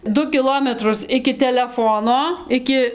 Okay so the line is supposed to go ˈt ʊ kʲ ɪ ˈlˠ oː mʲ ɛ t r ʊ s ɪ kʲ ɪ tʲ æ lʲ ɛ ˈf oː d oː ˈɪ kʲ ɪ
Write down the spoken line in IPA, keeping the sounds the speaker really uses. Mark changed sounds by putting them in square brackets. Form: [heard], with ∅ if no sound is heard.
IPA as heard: [ˈd] ʊ kʲ ɪ ˈlˠ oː mʲ ɛ t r ʊ s ɪ kʲ ɪ tʲ [ɛ] lʲ ɛ ˈf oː [n] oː ˈɪ kʲ ɪ